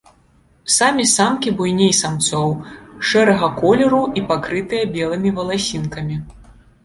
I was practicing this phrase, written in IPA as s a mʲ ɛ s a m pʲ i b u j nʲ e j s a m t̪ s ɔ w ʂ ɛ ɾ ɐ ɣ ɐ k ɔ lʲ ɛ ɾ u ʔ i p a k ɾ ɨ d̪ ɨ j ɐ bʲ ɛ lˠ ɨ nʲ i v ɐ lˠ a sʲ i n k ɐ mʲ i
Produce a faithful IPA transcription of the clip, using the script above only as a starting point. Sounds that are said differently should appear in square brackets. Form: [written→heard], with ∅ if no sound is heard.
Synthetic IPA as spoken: s a mʲ [ɛ→i] s a m [pʲ→kʲ] i b u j nʲ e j s a m t̪ s ɔ w ʂ ɛ ɾ ɐ ɣ ɐ k ɔ lʲ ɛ ɾ u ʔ i p a k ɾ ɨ [d̪→t̪] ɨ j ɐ bʲ ɛ lˠ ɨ [nʲ→mʲ] i v ɐ lˠ a sʲ i n k ɐ mʲ i